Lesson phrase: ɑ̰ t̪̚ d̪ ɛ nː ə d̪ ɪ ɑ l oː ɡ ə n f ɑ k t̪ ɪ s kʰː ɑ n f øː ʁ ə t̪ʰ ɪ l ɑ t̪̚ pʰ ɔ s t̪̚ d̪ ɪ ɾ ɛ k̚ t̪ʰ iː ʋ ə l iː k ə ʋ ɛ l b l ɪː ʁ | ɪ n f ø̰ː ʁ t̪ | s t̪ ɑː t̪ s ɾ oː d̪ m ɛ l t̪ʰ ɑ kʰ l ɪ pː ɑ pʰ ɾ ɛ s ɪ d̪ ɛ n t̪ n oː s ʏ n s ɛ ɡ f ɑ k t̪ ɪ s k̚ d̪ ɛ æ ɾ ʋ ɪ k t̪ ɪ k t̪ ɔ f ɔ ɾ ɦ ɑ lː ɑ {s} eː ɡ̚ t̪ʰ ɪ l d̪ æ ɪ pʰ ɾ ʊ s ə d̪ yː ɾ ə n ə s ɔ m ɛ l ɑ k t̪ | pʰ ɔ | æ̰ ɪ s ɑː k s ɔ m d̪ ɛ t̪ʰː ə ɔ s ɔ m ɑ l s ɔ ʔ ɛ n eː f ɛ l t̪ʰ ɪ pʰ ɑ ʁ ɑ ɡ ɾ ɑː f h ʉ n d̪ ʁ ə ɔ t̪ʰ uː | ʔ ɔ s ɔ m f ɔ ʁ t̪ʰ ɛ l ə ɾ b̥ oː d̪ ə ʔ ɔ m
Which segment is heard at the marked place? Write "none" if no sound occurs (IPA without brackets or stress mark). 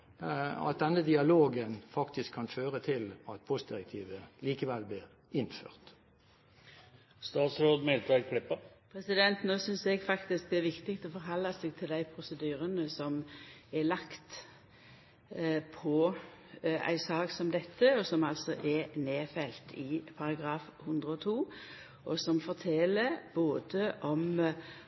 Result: s